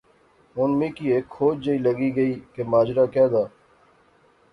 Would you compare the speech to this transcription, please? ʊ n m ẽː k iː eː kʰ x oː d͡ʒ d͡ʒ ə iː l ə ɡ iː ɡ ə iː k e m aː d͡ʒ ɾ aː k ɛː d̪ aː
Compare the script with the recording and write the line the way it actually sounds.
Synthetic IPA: ʊ n m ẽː k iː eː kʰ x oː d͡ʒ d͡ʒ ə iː l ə ɡ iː ɡ ə iː k e m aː d͡ʒ ɾ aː k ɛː d̪ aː